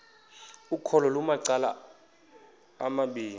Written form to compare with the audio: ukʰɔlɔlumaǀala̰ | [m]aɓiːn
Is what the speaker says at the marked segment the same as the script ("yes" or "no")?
yes